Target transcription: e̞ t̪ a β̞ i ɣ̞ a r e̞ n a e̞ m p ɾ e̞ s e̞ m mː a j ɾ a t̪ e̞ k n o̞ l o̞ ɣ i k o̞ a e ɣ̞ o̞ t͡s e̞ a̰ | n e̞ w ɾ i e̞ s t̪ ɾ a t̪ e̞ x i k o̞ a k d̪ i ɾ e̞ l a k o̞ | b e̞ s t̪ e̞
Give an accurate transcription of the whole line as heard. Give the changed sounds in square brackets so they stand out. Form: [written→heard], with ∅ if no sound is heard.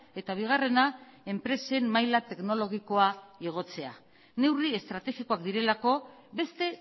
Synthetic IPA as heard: e̞ t̪ a β̞ i ɣ̞ a r e̞ n a e̞ m p ɾ e̞ s e̞ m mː a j [ɾ→l] a t̪ e̞ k n o̞ l o̞ ɣ i k o̞ a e ɣ̞ o̞ t͡s e̞ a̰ | n e̞ w [ɾ→r] i e̞ s t̪ ɾ a t̪ e̞ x i k o̞ a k d̪ i ɾ e̞ l a k o̞ | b e̞ s t̪ e̞